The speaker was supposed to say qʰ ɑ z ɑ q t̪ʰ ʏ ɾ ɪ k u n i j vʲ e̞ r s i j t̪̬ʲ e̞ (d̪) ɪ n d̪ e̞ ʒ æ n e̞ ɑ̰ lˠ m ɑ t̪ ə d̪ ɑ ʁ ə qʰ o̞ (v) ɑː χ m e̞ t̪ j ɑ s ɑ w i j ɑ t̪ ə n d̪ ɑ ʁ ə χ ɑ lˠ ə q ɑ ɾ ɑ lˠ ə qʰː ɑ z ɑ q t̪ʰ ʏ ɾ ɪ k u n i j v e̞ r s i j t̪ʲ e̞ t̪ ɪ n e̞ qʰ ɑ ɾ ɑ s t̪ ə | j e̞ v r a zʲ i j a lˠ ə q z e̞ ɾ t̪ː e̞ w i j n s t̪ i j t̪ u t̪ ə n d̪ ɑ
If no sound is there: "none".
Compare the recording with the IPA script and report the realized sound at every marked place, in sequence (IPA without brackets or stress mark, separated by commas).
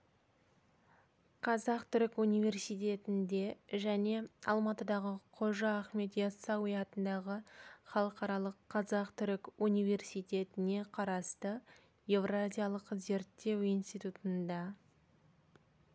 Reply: t̪, ʒ